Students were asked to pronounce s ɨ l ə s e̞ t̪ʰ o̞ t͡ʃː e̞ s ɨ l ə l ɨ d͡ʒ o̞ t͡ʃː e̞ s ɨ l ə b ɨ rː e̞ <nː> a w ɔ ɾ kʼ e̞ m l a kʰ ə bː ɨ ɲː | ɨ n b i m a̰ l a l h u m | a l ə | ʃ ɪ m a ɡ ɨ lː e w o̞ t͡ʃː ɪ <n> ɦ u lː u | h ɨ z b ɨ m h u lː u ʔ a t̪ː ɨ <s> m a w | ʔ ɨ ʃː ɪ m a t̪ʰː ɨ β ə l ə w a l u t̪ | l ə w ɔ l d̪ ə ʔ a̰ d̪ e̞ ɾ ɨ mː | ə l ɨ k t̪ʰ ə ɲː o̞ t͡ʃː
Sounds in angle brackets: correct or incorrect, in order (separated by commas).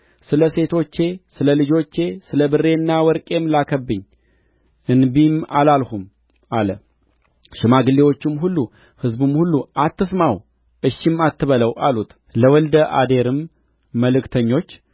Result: correct, incorrect, correct